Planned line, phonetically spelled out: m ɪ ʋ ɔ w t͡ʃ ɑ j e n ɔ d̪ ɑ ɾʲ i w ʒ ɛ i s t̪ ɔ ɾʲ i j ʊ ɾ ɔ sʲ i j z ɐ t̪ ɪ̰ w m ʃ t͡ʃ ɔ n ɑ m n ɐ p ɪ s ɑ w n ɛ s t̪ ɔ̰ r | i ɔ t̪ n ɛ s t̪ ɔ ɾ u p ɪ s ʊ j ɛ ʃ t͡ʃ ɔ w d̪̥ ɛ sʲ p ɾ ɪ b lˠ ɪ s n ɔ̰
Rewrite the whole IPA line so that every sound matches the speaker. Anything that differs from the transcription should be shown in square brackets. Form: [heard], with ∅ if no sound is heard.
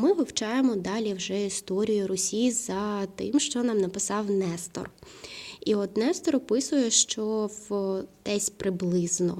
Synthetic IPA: m ɪ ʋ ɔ w t͡ʃ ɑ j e [m] ɔ d̪ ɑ [lʲ] i w ʒ ɛ i s t̪ ɔ ɾʲ i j ʊ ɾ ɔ sʲ i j z ɐ t̪ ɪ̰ [∅] m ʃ t͡ʃ ɔ n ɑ m n ɐ p ɪ s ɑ w n ɛ s t̪ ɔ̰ r | i ɔ t̪ n ɛ s t̪ ɔ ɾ [ɔ] p ɪ s ʊ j ɛ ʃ t͡ʃ ɔ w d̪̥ ɛ sʲ p ɾ ɪ b lˠ ɪ [z] n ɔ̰